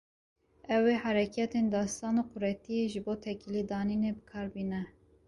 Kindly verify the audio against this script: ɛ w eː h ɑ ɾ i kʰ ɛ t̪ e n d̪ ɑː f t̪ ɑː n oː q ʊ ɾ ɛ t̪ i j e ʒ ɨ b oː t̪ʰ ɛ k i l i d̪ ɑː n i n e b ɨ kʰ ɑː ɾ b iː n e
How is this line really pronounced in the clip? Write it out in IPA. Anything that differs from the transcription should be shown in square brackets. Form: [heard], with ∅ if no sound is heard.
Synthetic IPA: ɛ w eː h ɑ ɾ [ɛ] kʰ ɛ t̪ e n d̪ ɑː [s] t̪ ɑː n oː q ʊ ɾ ɛ t̪ i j e ʒ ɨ b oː t̪ʰ ɛ k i l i d̪ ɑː n i n e b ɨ kʰ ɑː ɾ b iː n [ɛ]